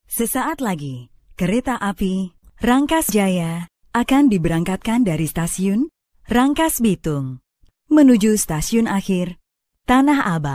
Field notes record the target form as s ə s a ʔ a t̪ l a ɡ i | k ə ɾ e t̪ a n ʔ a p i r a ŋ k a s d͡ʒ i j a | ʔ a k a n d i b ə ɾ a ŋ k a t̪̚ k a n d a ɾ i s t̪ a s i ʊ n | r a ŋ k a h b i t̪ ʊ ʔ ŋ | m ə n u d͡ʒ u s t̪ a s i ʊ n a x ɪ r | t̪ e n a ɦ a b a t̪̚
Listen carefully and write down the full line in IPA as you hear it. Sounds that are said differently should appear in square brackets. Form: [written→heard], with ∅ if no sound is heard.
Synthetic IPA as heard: s ə s a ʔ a t̪ l a ɡ i | k ə ɾ e t̪ a [n→∅] ʔ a p i r a ŋ k a s d͡ʒ [i→a] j a | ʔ a k a n d i b ə ɾ a ŋ k a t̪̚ k a n d a ɾ i s t̪ a s i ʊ n | r a ŋ k a [h→s] b i t̪ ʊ [ʔ→∅] ŋ | m ə n u d͡ʒ u s t̪ a s i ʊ n a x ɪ r | t̪ [e→a] n a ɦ a b a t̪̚

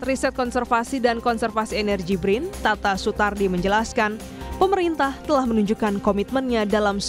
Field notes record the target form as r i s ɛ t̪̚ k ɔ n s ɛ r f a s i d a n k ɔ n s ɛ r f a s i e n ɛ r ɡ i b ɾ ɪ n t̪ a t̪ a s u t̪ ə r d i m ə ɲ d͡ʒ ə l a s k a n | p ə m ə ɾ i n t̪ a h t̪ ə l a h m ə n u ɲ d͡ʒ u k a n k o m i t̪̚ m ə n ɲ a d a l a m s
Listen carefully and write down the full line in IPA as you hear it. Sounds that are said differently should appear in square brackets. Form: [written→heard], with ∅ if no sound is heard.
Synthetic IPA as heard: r i s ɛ t̪̚ k ɔ n s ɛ r f a s i d a n k ɔ n s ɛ r f a s i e n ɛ r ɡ i b ɾ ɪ n t̪ a t̪ a s u t̪ [ə→a] r d i m ə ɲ d͡ʒ ə l a s k a n | p ə m ə ɾ i n t̪ a h t̪ ə l a h m ə n u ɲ d͡ʒ u k a n k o m i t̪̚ m ə n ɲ a d a l a m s

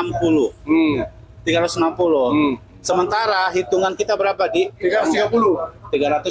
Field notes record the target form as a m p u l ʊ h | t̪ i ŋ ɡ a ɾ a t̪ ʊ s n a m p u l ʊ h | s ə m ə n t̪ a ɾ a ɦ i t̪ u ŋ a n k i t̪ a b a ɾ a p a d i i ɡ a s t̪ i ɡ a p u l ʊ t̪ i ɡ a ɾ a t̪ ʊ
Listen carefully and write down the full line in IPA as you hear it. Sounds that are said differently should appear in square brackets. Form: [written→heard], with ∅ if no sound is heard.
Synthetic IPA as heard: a m p u l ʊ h | t̪ i [ŋ→∅] ɡ a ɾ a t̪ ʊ s n a m p u l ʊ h | s ə m ə n t̪ a ɾ a ɦ i t̪ u ŋ a n k i t̪ a b [a→ə] ɾ a p a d i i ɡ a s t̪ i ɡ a p u l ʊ t̪ i ɡ a ɾ a t̪ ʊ

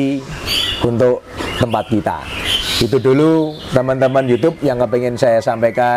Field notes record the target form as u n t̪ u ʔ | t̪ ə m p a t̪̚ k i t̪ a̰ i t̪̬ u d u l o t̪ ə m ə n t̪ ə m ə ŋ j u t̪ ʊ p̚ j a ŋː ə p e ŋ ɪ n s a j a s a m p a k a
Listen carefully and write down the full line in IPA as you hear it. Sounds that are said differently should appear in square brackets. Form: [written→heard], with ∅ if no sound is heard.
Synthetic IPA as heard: u n t̪ [u→ʊ] ʔ | t̪ ə m p a t̪̚ k i t̪ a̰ i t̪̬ u d u l [o→u] t̪ ə m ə n t̪ ə m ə [ŋ→n] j u t̪ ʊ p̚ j a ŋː ə p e ŋ ɪ n s a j a s a m p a k a

